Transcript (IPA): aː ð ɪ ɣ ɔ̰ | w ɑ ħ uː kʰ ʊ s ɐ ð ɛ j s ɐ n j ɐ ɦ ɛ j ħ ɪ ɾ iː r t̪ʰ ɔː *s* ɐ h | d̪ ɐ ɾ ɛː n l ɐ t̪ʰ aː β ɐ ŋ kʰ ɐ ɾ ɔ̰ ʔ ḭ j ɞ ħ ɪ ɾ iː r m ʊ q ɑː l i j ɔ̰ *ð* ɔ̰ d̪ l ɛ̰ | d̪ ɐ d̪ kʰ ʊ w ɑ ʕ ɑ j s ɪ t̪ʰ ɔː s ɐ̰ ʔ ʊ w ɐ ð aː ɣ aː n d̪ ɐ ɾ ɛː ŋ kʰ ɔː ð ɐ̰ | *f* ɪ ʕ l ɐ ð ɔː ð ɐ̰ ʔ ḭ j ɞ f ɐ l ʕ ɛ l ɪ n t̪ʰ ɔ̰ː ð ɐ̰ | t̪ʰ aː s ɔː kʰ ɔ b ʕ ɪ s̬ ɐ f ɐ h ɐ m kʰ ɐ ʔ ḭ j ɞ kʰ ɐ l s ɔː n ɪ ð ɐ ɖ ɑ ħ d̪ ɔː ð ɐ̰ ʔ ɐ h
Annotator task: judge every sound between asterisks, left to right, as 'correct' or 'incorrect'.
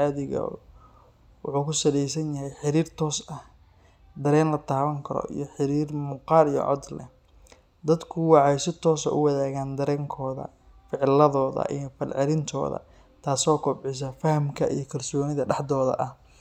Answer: correct, incorrect: ʕ, correct

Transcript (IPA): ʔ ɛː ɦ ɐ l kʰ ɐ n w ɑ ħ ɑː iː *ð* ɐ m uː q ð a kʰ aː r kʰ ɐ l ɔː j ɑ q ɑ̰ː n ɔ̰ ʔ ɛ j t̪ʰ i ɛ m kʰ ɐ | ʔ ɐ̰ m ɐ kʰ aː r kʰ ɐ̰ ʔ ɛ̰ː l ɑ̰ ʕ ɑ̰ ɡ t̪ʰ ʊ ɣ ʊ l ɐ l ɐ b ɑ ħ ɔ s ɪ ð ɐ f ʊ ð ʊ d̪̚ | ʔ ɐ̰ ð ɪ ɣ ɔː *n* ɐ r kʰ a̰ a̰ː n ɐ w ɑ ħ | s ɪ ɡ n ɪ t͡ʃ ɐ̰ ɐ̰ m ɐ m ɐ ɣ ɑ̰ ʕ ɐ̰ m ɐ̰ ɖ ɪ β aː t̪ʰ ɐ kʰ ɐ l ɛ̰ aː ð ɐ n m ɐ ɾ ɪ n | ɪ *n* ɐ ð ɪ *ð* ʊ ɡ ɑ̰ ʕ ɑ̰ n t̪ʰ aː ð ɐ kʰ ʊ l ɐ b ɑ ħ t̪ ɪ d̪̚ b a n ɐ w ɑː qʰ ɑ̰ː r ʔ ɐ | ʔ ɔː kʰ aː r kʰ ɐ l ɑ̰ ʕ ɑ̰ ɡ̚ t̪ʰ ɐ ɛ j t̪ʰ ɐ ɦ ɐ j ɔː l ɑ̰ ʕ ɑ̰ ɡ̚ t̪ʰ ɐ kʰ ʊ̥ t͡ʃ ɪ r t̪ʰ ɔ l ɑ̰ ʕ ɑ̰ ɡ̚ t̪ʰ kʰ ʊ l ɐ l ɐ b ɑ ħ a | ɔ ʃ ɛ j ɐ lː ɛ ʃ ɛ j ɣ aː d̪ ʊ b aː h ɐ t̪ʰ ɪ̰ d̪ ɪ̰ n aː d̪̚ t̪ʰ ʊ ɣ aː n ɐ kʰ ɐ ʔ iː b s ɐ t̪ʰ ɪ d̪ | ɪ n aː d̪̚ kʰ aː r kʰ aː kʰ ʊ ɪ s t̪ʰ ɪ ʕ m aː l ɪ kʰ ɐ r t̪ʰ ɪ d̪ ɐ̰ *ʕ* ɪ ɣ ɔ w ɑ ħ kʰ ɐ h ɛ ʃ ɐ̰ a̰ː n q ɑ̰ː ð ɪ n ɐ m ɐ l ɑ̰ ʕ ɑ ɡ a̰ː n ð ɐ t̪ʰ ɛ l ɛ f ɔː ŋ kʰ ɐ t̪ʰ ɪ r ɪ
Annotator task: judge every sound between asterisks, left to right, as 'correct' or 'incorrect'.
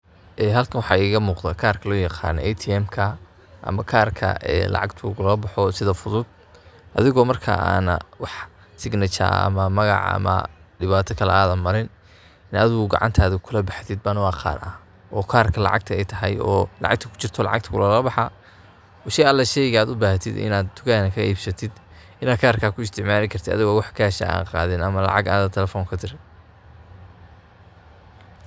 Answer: incorrect: ɣ, incorrect: m, correct, incorrect: ɣ, incorrect: ð

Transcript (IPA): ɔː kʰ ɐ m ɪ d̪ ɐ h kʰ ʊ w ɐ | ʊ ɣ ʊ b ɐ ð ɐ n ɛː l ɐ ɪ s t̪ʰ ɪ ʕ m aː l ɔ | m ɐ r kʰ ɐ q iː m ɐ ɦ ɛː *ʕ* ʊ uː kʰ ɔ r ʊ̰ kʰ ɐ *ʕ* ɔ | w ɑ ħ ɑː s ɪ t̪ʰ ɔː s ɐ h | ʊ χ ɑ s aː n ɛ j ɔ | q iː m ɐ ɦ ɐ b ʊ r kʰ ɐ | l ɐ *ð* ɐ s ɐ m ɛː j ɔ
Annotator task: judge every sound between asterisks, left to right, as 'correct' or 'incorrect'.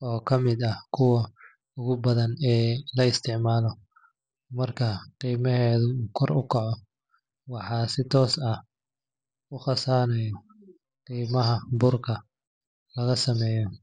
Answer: incorrect: ð, correct, incorrect: ɣ

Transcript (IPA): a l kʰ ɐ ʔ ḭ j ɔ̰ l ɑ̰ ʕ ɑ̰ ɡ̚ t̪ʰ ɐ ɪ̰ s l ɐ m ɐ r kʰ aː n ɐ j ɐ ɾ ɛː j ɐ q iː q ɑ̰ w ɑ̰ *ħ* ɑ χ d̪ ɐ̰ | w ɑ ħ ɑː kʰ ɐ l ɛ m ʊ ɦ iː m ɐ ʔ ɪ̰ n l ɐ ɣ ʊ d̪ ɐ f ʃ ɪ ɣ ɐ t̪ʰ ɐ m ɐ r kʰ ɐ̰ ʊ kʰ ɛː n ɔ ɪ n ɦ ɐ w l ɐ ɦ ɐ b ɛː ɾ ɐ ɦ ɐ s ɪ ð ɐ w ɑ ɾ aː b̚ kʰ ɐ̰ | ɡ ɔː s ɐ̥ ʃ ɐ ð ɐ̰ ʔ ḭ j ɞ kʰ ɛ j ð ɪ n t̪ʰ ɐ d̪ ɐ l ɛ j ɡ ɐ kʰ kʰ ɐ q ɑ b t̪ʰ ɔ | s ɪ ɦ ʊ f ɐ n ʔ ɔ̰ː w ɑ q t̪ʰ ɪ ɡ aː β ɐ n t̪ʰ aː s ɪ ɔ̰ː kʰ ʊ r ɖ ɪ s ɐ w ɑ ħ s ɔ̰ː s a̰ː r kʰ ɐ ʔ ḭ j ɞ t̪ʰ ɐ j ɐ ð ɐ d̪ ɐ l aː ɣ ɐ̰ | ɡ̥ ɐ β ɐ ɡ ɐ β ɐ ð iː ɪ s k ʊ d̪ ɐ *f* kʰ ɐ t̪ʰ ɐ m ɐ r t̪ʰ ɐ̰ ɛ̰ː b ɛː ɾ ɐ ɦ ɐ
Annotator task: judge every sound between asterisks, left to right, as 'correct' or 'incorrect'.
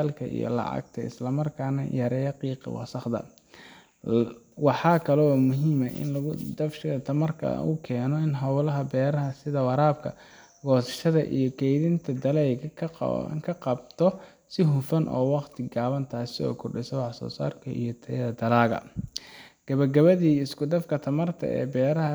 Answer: incorrect: s, correct

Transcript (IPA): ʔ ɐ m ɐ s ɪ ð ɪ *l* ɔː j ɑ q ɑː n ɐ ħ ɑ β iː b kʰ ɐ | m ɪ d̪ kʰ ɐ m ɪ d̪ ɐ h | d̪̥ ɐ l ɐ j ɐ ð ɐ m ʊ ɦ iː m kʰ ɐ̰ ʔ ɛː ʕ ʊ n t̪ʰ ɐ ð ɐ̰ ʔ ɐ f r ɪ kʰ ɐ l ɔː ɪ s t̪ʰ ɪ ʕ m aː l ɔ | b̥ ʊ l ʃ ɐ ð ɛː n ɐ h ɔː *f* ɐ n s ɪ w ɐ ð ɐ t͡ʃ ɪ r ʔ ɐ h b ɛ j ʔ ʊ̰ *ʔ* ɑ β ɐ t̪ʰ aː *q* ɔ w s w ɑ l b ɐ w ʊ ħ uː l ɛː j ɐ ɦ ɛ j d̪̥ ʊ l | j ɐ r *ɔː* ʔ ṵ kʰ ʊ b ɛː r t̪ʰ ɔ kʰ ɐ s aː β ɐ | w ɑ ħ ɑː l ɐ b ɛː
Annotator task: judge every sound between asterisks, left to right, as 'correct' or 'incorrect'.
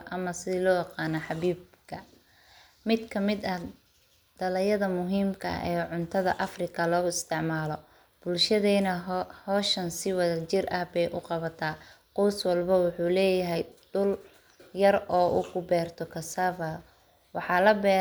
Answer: correct, incorrect: ʃ, incorrect: q, correct, correct

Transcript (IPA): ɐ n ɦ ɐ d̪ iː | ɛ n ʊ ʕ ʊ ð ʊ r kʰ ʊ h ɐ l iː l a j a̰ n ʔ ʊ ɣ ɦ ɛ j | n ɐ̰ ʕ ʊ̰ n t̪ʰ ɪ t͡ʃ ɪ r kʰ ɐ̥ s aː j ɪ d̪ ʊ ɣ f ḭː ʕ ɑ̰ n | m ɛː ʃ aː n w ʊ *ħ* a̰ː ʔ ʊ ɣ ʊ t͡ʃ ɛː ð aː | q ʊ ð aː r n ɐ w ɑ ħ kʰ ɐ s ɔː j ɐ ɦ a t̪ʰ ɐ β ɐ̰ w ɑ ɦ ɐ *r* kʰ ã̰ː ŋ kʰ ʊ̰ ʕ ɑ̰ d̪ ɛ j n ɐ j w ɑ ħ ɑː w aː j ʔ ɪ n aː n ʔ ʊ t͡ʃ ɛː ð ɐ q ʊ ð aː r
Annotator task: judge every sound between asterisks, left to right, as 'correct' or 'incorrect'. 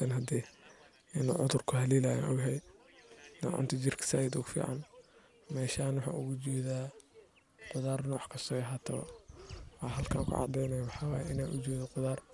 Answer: correct, incorrect: l

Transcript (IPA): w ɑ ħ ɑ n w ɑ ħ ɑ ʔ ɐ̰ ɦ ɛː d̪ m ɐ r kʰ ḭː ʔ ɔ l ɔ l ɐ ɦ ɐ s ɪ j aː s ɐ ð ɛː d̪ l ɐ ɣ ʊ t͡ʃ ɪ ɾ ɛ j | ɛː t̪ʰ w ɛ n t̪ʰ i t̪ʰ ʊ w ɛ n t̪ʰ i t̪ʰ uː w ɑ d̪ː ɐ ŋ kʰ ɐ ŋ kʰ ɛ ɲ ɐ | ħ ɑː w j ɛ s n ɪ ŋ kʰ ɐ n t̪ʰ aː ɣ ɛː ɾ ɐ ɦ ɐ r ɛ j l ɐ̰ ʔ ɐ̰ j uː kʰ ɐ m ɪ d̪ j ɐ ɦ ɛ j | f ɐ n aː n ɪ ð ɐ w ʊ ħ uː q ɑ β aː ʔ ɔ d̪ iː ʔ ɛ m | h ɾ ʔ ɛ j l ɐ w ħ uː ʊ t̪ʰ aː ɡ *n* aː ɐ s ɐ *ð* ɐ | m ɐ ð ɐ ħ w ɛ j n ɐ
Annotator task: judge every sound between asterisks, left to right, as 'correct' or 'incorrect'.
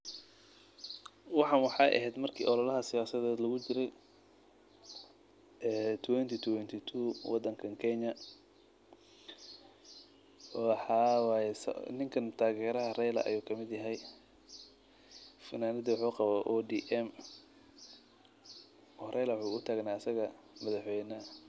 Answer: correct, incorrect: ɣ

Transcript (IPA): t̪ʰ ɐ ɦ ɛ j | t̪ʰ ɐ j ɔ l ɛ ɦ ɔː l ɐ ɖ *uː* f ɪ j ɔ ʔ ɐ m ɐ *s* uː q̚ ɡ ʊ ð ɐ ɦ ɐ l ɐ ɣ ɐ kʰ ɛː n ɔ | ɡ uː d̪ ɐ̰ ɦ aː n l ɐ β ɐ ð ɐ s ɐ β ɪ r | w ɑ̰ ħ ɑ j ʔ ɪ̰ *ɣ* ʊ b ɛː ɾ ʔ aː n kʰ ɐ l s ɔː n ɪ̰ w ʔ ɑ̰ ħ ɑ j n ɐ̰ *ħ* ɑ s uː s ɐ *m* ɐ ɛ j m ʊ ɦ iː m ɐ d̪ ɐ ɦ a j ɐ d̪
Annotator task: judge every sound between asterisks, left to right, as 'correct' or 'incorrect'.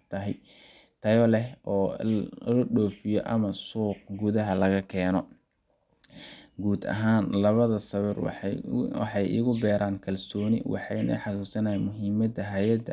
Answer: incorrect: ɔː, correct, correct, correct, incorrect: n

